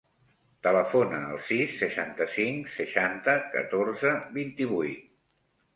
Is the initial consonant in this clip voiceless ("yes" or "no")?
yes